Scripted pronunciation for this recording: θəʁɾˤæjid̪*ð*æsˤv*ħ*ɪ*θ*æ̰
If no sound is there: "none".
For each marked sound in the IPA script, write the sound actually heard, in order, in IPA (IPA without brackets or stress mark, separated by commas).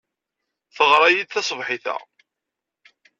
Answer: θ, ħ, θ